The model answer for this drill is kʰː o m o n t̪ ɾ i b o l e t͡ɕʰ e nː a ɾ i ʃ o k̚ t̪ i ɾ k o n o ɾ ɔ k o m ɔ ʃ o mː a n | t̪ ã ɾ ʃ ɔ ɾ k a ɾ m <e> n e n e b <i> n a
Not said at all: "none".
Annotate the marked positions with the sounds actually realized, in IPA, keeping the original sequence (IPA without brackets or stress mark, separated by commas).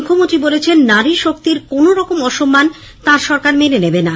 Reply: e, e